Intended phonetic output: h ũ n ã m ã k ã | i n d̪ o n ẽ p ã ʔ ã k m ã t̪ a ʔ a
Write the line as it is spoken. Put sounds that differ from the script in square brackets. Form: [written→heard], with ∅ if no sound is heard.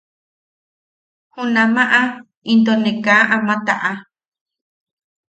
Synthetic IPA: h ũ n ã m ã [k→ʔ] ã | i n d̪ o n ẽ [p→k] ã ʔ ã [k→∅] m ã t̪ a ʔ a